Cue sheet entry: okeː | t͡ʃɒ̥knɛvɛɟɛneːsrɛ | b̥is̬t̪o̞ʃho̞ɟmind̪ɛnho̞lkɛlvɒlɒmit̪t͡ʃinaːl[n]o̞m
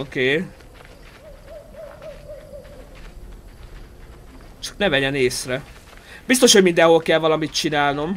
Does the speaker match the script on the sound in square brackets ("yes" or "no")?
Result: yes